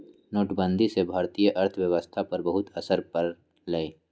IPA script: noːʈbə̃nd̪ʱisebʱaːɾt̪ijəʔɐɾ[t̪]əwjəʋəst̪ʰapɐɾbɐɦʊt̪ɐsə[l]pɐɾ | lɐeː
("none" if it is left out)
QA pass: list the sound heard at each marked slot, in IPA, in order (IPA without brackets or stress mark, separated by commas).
t̪ʰ, ɾ